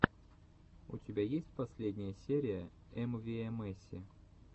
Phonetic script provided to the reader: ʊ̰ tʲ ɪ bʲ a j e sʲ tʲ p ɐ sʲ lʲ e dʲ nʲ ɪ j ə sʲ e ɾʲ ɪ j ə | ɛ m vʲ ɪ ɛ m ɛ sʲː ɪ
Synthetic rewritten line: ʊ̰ tʲ ɪ bʲ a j e sʲ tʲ p ɐ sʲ lʲ e dʲ nʲ ɪ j ə sʲ e ɾʲ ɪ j ə | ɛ m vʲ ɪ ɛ m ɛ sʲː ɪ